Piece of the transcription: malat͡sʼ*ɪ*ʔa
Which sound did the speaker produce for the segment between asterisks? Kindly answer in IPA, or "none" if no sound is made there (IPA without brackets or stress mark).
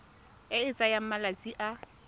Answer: i